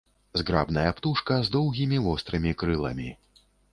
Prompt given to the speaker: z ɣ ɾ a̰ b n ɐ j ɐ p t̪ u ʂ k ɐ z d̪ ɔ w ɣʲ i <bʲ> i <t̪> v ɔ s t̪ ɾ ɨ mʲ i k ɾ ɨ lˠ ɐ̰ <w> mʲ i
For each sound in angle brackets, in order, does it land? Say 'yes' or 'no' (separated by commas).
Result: no, no, no